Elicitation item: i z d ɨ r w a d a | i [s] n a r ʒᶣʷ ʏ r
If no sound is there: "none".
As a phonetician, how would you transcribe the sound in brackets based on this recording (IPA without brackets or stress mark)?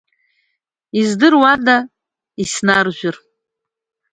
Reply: s